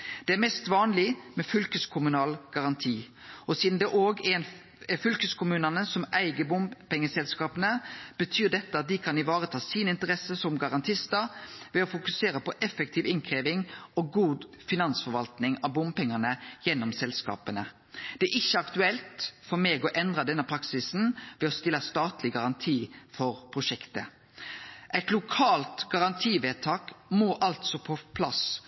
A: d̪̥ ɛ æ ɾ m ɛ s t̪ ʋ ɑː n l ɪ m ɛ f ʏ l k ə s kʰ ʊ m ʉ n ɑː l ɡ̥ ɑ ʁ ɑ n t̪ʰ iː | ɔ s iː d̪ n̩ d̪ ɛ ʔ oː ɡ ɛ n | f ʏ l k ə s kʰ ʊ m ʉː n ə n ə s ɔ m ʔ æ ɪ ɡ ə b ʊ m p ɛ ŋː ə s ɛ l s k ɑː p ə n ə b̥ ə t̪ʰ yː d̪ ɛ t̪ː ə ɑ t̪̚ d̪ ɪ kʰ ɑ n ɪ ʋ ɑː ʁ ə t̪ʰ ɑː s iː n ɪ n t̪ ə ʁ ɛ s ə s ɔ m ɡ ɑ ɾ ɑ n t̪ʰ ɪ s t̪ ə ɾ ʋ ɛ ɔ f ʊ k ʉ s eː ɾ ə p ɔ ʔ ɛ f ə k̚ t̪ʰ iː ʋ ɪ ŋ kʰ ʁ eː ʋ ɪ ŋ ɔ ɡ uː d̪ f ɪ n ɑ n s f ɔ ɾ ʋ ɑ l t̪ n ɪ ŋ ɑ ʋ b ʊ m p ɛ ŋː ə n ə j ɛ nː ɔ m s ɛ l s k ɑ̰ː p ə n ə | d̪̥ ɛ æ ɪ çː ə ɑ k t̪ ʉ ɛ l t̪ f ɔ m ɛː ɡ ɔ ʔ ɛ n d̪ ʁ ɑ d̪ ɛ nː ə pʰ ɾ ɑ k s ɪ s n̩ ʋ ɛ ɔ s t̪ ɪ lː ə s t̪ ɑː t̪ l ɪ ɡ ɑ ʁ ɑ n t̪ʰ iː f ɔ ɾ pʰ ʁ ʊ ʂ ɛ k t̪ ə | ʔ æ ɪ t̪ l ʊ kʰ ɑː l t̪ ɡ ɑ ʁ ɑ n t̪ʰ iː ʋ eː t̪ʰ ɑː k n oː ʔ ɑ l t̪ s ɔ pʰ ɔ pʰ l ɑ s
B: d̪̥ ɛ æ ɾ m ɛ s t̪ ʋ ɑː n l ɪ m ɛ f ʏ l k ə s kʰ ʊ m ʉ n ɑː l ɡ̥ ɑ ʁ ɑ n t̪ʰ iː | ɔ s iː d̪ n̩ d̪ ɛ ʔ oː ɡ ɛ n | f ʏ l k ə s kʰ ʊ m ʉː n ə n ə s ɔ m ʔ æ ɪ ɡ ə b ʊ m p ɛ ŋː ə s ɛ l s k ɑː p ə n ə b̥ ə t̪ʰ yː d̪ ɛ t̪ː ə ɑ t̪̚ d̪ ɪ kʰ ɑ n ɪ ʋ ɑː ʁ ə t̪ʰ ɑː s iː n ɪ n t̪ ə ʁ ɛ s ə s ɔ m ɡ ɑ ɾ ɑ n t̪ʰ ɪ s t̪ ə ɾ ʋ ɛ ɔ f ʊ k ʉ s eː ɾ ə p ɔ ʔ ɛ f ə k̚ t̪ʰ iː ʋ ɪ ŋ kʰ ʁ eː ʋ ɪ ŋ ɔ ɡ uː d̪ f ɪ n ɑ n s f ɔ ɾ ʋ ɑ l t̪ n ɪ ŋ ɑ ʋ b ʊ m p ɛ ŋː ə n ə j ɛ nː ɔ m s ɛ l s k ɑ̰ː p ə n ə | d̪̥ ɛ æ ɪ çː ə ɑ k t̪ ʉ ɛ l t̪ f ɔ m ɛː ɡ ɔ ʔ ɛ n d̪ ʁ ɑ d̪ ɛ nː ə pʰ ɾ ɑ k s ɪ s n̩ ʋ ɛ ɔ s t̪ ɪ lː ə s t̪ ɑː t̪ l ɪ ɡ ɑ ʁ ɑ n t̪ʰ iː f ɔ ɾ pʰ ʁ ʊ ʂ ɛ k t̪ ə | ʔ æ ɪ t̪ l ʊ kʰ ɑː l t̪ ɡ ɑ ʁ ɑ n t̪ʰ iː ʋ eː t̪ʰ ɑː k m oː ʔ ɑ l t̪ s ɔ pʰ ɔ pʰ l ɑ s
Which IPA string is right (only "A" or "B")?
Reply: B